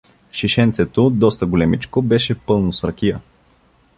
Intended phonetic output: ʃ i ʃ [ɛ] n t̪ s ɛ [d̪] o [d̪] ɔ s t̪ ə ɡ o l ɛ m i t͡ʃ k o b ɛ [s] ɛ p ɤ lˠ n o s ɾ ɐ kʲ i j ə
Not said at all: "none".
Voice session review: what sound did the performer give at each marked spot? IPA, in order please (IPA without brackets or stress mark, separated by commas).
ɛ, t̪, d̪, ʃ